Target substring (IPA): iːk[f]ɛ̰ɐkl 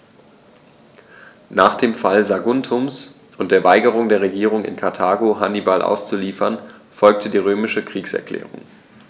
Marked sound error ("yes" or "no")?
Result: yes